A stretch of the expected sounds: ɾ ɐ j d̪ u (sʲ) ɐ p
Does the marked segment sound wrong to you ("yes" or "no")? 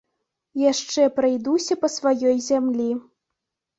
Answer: no